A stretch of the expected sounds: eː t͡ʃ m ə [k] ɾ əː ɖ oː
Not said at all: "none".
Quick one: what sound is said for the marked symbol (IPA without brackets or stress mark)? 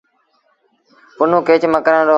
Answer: k